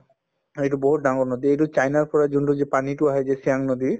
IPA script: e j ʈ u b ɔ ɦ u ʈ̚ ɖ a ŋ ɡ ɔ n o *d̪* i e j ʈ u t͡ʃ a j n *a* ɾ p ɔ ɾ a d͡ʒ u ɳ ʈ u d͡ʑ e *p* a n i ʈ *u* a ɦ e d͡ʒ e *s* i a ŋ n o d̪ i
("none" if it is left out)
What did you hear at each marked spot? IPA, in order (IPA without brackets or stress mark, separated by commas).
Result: d̪, a, p, u, s